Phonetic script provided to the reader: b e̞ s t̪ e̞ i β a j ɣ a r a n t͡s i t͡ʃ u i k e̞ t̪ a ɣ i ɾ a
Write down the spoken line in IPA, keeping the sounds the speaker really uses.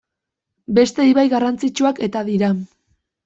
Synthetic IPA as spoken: b e̞ s t̪ e̞ i β a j ɣ a r a n t͡s i t͡ʃ u a k e̞ t̪ a ð i ɾ a